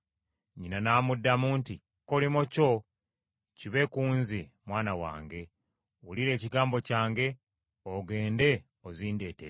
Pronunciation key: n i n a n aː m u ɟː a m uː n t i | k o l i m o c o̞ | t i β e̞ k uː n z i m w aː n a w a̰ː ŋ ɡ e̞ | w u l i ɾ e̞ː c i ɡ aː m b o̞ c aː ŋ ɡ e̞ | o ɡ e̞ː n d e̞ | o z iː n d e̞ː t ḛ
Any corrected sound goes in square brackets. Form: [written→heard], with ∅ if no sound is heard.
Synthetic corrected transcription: [n→ɲ] i n a n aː m u [ɟː→dː] a m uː n t i | k o l i m o c o̞ | [t→c] i β e̞ k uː n z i m w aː n a w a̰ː ŋ ɡ e̞ | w u l i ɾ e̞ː c i ɡ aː m b o̞ c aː ŋ ɡ e̞ | o ɡ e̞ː n d e̞ | o z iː n d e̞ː t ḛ